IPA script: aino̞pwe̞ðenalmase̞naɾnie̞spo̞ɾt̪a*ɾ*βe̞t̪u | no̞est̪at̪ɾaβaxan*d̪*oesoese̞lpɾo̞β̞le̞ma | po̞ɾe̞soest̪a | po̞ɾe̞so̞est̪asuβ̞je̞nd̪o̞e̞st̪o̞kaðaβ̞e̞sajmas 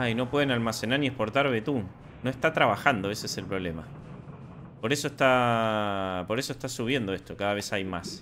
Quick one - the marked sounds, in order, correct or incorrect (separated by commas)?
correct, correct